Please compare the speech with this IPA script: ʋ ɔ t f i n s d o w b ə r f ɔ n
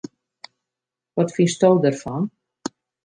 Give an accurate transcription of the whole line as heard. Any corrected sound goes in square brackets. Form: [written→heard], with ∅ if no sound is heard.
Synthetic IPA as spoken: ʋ ɔ t f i n s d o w [b→d] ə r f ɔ n